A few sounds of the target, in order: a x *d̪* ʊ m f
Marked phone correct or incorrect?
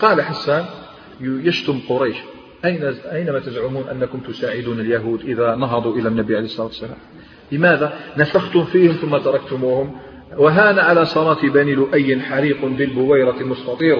incorrect